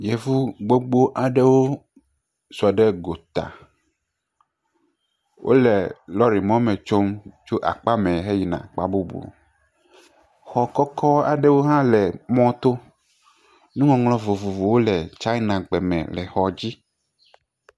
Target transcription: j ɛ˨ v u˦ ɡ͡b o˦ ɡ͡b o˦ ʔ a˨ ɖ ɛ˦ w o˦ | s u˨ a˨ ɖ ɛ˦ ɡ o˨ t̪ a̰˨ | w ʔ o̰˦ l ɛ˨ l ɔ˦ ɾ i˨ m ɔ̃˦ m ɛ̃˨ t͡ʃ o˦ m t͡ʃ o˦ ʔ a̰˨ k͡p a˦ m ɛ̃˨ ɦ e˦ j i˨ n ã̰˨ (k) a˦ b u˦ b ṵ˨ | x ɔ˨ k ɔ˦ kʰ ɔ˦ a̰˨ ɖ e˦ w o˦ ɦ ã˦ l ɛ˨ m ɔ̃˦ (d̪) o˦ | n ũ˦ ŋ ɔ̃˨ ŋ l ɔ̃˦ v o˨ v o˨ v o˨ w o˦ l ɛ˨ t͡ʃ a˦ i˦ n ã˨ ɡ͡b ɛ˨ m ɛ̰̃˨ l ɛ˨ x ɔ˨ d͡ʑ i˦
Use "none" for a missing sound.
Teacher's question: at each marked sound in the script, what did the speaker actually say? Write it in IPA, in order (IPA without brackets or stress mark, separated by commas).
k͡p, t̪